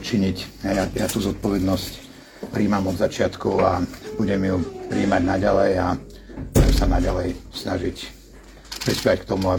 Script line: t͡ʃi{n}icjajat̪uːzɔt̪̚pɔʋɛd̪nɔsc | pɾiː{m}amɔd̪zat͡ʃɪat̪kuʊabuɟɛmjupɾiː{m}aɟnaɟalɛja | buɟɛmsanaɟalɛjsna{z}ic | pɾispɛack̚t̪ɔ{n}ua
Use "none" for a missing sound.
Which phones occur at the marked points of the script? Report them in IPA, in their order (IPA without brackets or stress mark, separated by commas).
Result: ɲ, m, m, ʒ, m